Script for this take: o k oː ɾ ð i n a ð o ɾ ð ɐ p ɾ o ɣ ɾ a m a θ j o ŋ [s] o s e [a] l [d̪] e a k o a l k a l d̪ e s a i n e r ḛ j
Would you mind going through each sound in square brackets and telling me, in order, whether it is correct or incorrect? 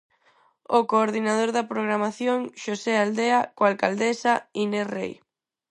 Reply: incorrect, correct, correct

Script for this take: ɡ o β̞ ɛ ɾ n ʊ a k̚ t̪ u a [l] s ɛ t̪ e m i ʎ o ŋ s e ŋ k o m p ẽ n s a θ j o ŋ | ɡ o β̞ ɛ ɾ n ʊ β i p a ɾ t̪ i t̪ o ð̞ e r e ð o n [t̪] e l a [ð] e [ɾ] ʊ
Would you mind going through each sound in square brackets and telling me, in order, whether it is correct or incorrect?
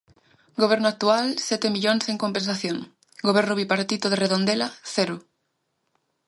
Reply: correct, incorrect, incorrect, correct

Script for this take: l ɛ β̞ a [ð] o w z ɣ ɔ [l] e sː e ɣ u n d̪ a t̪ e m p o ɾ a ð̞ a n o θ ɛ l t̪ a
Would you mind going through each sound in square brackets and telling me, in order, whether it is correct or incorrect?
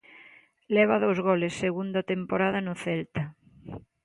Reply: correct, correct

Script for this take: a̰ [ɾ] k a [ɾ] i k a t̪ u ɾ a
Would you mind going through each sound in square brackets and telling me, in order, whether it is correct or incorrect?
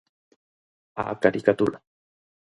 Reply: incorrect, correct

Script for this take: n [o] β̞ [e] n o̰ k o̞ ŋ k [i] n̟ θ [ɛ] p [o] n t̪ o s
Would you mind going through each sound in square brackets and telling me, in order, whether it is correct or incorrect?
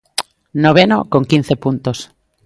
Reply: correct, correct, correct, incorrect, incorrect

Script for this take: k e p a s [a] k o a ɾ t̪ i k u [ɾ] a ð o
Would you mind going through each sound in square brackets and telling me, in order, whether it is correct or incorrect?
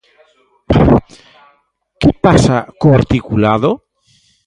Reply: correct, incorrect

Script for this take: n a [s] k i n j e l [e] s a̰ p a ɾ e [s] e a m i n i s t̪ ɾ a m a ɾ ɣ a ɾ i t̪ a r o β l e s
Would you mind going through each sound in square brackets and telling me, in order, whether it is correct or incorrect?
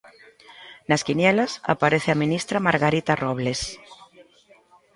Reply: correct, incorrect, incorrect

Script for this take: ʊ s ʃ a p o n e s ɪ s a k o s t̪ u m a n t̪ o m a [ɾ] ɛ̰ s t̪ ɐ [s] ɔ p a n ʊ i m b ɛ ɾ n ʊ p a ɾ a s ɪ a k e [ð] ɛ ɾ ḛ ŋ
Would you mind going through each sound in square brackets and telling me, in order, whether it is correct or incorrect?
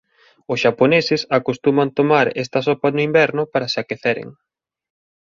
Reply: correct, correct, incorrect

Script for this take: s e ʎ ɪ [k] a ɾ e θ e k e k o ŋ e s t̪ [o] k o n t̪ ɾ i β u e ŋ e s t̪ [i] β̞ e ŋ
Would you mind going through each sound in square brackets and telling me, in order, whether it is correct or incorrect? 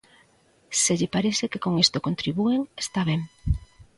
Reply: incorrect, correct, incorrect

